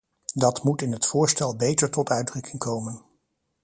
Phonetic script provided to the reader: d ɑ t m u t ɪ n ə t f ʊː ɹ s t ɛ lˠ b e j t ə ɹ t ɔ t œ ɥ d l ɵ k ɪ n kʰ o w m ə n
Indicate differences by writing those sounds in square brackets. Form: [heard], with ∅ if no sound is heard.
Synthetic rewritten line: d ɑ t m u t ɪ n ə t f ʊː ɹ s t ɛ lˠ b e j t ə ɹ t ɔ t œ ɥ d [r] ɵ k ɪ [ŋ] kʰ o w m ə n